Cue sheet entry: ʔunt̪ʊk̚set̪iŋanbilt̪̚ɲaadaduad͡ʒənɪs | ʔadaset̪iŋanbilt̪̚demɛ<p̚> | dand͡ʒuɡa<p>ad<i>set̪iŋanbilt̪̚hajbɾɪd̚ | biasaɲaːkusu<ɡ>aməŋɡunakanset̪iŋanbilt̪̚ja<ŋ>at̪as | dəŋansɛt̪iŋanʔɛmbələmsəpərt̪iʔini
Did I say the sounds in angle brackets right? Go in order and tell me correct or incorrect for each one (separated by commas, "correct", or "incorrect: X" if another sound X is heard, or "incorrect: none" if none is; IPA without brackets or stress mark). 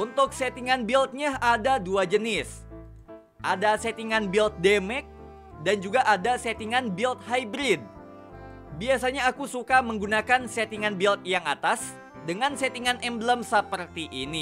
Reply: incorrect: k̚, incorrect: ʔ, incorrect: a, incorrect: k, correct